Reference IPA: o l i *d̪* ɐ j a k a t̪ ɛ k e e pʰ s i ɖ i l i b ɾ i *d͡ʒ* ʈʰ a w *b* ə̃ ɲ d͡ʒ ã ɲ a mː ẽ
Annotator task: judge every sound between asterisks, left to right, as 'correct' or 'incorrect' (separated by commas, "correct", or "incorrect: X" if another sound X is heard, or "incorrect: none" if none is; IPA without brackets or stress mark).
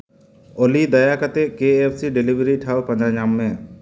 correct, incorrect: none, incorrect: p